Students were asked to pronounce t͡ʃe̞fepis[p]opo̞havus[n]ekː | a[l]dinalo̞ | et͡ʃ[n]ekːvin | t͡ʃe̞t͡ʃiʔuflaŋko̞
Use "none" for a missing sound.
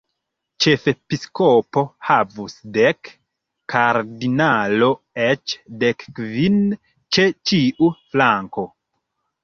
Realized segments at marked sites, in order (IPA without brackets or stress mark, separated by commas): k, d, ɾ, d